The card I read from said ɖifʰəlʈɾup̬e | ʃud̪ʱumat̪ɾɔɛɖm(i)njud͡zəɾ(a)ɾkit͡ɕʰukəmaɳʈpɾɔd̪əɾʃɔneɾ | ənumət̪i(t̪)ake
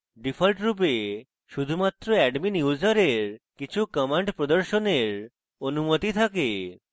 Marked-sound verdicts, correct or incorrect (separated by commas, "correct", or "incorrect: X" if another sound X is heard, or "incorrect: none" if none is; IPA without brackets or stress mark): correct, incorrect: e, incorrect: t̪ʰ